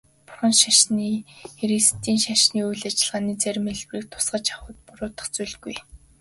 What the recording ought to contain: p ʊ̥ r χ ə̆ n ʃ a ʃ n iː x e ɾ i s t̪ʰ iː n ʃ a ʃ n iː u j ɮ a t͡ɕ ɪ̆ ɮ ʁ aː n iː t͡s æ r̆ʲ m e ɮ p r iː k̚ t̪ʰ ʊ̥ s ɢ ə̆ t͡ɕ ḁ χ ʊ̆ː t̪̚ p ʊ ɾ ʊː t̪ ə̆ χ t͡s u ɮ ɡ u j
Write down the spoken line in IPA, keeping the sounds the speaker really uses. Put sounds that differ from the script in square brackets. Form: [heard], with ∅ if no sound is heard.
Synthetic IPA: p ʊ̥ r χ ə̆ n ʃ a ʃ n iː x e ɾ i s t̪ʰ iː n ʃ a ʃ n iː u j ɮ a t͡ɕ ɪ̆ ɮ ʁ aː n iː t͡s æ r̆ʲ m e ɮ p r iː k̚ t̪ʰ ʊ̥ s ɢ ə̆ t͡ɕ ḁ χ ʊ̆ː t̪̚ p ʊ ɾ ʊː t̪ ə̆ χ t͡s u ɮ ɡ u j